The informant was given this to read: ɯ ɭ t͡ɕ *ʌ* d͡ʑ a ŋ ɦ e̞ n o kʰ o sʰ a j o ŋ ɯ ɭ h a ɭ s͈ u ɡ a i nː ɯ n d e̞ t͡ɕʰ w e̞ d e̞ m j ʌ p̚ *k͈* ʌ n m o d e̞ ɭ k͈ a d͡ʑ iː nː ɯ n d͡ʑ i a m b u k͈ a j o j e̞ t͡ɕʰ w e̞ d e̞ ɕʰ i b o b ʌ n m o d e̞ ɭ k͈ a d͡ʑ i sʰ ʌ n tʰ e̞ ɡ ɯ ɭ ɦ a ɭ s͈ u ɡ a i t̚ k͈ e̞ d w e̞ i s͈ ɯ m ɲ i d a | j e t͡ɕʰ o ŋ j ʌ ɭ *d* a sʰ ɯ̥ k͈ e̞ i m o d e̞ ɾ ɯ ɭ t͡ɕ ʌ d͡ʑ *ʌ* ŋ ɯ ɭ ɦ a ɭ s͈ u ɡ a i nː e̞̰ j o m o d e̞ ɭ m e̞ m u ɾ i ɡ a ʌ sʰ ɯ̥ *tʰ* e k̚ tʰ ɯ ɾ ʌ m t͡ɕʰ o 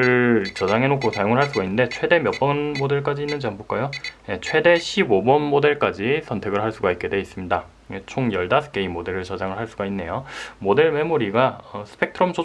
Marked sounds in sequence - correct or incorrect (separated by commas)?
correct, incorrect, correct, incorrect, incorrect